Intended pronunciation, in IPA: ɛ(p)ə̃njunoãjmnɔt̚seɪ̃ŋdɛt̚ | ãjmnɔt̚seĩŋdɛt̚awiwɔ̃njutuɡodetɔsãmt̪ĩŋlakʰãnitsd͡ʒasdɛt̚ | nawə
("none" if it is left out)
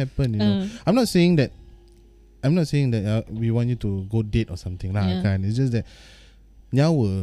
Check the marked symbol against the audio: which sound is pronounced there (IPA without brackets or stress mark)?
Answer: p